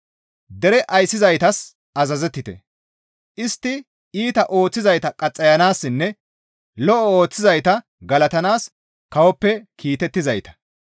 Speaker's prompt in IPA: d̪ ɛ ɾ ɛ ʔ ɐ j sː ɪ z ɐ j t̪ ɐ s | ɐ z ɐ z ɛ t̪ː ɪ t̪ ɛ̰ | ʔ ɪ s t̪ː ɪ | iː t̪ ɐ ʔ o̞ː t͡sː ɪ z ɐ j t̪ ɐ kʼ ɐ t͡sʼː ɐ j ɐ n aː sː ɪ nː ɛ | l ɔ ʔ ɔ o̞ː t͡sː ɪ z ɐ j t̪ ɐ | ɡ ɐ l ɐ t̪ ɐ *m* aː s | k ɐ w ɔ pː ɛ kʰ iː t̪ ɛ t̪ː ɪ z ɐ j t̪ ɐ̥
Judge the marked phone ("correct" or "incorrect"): incorrect